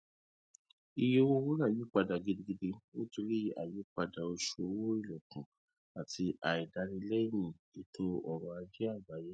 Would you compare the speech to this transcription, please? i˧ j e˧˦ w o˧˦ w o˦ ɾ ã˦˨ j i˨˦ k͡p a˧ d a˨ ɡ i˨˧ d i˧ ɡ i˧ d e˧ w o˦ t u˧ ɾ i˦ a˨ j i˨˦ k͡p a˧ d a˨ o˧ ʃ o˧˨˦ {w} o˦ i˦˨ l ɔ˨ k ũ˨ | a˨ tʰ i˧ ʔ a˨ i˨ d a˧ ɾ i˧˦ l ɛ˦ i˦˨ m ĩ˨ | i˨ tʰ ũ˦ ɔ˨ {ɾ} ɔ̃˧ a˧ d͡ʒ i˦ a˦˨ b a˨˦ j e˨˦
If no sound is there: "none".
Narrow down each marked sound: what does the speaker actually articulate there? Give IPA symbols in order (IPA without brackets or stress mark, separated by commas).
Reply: w, ɾ